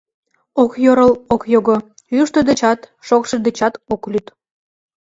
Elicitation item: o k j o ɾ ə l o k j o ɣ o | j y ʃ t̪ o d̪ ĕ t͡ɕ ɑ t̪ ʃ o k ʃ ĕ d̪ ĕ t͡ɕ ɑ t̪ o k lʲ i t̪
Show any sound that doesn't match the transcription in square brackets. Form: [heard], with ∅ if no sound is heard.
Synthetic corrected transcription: o k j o ɾ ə l o k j o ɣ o | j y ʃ t̪ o d̪ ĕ t͡ɕ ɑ t̪ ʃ o k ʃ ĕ d̪ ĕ t͡ɕ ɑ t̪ o k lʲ [y] t̪